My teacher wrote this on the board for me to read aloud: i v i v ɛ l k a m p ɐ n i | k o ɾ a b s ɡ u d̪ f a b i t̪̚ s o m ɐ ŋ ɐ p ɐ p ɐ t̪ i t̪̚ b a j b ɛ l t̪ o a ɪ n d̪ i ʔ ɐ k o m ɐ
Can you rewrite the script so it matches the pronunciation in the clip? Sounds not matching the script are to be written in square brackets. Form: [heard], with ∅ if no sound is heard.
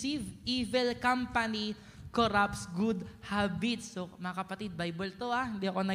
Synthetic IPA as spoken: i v i v ɛ l k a m p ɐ n i | k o ɾ a [p] s ɡ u d̪ [h] a b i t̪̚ s o m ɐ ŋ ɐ [k] ɐ p ɐ t̪ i [d̪̚] b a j b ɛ l t̪ o a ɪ n d̪ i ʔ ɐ k o [n] ɐ